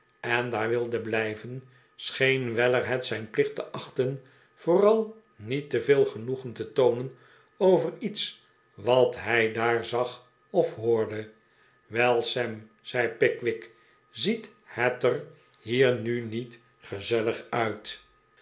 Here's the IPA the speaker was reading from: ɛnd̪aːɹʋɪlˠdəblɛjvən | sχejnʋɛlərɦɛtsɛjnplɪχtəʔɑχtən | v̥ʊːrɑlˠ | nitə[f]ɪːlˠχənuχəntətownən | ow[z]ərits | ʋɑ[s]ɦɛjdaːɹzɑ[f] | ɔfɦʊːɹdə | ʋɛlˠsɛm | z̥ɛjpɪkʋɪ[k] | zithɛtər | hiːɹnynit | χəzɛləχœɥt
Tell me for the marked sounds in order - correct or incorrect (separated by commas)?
incorrect, incorrect, incorrect, incorrect, correct